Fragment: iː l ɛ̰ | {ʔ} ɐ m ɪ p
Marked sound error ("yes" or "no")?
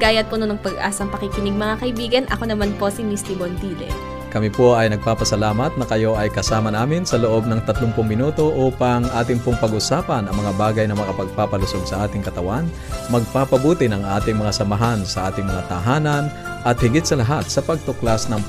yes